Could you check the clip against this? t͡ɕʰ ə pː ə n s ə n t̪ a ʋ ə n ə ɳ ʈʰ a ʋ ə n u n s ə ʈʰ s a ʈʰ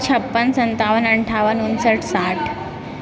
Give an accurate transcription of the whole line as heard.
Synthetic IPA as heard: t͡ɕʰ ə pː ə n s ə n t̪ a ʋ ə n ə ɳ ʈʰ a ʋ ə n u n s ə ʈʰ s a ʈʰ